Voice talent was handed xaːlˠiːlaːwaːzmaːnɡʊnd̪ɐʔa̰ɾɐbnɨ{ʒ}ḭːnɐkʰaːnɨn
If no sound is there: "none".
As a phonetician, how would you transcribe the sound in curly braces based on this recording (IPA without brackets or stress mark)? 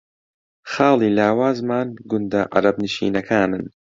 ʃ